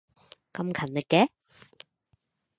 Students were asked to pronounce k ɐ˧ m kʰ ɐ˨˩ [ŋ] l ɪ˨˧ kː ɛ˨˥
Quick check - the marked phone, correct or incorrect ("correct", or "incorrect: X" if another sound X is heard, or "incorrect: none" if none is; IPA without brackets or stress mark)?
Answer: incorrect: n